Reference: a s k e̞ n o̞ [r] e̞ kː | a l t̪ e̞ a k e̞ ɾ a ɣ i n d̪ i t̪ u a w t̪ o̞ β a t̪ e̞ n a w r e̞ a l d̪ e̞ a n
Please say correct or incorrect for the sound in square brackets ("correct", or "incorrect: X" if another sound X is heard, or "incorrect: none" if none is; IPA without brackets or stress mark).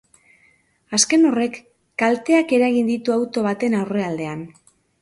correct